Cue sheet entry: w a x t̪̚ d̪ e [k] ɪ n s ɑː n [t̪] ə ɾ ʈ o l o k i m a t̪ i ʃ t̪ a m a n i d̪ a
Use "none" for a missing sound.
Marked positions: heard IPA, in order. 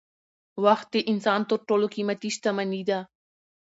ʔ, t̪

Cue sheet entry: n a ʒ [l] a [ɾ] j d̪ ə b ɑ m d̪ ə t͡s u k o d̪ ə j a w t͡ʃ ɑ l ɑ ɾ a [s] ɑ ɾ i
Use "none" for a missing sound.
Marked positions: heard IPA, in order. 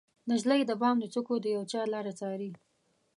l, none, t͡s

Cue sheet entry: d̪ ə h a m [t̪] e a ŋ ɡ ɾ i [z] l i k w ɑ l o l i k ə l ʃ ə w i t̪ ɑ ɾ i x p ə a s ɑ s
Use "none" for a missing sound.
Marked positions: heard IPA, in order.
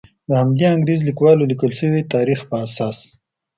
d̪, z

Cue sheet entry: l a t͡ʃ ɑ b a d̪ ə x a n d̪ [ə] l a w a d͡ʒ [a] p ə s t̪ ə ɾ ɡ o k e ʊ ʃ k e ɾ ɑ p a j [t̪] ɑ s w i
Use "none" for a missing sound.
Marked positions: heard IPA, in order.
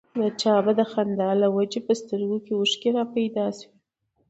ɑ, e, d̪

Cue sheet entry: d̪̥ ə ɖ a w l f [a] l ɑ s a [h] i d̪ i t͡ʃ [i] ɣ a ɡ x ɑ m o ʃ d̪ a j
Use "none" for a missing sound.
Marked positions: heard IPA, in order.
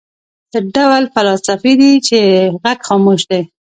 a, f, e

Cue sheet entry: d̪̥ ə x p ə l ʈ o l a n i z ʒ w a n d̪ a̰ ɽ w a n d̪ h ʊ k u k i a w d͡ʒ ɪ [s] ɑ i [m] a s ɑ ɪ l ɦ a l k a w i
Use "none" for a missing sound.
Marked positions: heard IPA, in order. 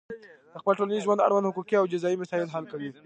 z, m

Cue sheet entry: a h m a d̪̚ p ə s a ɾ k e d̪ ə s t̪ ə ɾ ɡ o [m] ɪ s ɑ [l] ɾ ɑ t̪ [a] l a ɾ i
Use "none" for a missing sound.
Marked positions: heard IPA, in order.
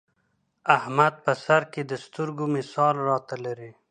m, l, a

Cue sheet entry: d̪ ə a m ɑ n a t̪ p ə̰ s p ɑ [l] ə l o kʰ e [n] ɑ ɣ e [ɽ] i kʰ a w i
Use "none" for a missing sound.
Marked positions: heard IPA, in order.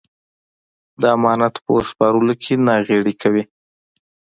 ɾ, n, ɽ

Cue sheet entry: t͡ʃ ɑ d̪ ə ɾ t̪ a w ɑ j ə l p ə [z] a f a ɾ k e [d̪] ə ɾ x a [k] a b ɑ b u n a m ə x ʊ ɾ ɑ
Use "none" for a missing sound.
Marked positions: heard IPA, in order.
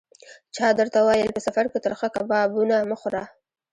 s, t̪, k

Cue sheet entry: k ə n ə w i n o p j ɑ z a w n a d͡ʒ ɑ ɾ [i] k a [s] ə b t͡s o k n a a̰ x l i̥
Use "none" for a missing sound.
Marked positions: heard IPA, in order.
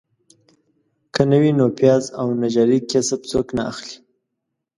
i, s

